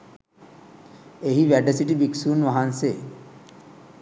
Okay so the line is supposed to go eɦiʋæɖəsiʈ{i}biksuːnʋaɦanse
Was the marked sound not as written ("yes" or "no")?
no